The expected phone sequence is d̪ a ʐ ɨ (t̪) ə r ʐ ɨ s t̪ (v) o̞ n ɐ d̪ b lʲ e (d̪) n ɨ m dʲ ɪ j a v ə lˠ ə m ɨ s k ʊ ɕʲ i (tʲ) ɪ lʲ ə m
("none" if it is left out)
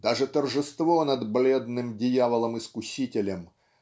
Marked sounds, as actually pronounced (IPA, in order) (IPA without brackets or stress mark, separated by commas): t̪, v, d̪, tʲ